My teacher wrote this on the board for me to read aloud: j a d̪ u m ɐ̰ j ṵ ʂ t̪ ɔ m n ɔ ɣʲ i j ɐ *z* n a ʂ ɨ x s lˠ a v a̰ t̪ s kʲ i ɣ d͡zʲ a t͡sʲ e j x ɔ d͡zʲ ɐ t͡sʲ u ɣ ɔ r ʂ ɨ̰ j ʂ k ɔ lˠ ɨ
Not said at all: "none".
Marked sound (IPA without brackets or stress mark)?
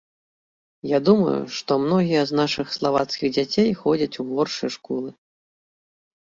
z